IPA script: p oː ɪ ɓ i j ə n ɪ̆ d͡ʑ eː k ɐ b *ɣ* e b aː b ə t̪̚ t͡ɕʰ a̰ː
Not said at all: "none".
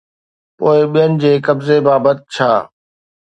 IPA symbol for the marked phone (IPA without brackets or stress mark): z